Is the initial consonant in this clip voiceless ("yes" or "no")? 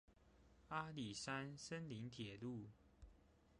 no